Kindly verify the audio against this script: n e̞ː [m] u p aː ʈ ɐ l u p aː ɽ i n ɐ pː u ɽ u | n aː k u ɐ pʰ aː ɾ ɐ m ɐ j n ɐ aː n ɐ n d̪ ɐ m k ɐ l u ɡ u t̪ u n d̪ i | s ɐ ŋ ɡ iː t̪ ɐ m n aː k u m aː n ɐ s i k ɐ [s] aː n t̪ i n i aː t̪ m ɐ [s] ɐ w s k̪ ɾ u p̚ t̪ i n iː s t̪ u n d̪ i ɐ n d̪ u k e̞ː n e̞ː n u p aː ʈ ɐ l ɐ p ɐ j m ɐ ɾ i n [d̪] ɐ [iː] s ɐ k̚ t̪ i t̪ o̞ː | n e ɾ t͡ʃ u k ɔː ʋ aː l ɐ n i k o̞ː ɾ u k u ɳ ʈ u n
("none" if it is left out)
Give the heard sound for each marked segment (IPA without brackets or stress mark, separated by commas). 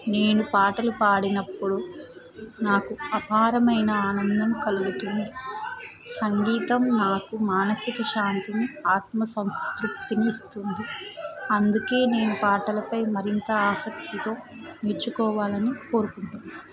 n, ʃ, s, t̪, aː